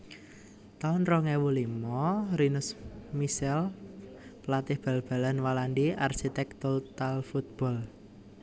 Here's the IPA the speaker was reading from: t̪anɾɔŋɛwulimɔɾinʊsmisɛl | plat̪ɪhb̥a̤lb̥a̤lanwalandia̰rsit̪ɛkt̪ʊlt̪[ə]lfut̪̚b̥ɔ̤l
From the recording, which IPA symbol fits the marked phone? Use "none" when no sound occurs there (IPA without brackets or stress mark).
a